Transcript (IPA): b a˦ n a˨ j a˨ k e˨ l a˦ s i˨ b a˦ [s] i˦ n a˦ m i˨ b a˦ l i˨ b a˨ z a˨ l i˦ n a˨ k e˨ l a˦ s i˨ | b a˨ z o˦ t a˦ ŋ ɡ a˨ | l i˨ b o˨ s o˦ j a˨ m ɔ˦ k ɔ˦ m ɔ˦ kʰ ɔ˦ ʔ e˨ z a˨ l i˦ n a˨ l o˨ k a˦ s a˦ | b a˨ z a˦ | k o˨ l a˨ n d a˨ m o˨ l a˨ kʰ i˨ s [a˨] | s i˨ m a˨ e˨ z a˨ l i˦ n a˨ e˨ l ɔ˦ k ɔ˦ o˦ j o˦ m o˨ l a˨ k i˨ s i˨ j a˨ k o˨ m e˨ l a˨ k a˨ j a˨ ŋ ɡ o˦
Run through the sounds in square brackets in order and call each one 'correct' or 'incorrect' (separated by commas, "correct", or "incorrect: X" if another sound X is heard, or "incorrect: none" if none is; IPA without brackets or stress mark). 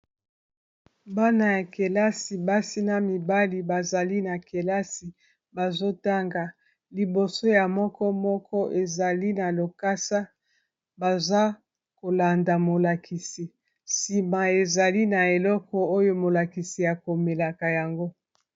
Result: correct, incorrect: i˨